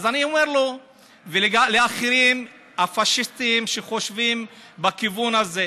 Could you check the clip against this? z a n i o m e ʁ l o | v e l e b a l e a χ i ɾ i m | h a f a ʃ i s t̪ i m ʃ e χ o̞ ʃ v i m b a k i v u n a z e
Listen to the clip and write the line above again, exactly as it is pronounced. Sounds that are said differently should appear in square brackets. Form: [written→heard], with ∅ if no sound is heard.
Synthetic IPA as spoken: z a n i o m e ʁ l o | v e l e [b→ɡ] a l e a χ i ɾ i m | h a f a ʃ i s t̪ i m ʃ e χ o̞ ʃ v i m b a k i v u n a z e